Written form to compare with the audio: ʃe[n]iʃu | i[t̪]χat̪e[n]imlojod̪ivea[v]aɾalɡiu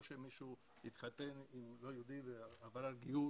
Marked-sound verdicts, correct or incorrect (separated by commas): incorrect, correct, correct, correct